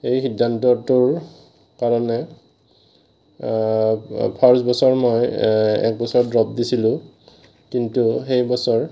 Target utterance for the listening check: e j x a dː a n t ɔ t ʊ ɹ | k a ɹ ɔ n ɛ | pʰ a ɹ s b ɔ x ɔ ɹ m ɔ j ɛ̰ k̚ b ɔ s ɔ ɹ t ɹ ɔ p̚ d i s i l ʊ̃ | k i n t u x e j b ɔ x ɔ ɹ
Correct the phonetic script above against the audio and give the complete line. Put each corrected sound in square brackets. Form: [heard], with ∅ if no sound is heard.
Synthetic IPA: e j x [i] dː a n t ɔ t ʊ ɹ | k a ɹ ɔ n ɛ | pʰ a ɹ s b ɔ [s] ɔ ɹ m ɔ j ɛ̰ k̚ b ɔ s ɔ ɹ [d] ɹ ɔ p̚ d i s i l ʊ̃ | k i n t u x e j b ɔ [s] ɔ ɹ